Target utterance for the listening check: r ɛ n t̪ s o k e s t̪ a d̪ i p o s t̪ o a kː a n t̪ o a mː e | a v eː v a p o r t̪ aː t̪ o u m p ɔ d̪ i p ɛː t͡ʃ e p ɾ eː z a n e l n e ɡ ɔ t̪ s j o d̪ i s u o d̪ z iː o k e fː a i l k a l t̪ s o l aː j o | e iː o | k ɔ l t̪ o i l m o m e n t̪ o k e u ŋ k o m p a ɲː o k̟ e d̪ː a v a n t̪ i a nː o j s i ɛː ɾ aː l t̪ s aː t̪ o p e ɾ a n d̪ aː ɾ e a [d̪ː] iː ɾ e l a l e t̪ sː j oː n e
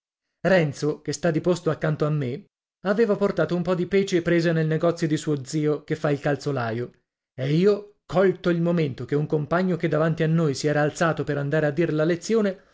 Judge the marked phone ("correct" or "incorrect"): correct